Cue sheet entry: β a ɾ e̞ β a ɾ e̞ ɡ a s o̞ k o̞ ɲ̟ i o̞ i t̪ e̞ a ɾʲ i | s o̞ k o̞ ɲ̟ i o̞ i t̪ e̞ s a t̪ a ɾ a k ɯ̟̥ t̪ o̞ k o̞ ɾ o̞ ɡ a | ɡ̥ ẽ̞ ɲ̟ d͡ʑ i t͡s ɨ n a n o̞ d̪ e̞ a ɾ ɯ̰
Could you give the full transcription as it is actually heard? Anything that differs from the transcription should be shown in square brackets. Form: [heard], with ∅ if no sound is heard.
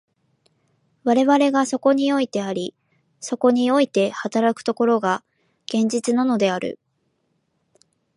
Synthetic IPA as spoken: β a ɾ e̞ β a ɾ e̞ ɡ a s o̞ k o̞ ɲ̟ i o̞ i t̪ e̞ a ɾʲ i | s o̞ k o̞ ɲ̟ i o̞ i t̪ e̞ [h] a t̪ a ɾ a k ɯ̟̥ t̪ o̞ k o̞ ɾ o̞ ɡ a | ɡ̥ ẽ̞ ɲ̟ d͡ʑ i t͡s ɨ n a n o̞ d̪ e̞ a ɾ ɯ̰